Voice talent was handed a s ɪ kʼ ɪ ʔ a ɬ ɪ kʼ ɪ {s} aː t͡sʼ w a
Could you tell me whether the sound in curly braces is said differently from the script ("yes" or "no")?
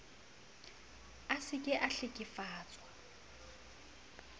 yes